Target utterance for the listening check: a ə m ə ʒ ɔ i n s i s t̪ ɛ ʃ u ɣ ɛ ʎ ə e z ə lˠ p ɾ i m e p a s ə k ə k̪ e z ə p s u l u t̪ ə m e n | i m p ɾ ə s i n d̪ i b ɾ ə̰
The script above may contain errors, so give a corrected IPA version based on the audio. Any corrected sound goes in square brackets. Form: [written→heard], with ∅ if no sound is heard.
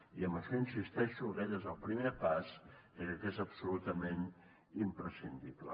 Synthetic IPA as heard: [a→i] ə m ə [ʒ→ʃ] ɔ i n s i s t̪ ɛ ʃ u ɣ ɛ ʎ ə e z ə lˠ p ɾ i m e p a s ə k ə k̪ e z ə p s u l u t̪ ə m e n | i m p ɾ ə s i n d̪ i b [ɾ→l] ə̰